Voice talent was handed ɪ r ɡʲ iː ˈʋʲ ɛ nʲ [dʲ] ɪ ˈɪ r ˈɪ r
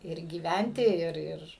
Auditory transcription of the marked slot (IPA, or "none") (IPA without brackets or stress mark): tʲ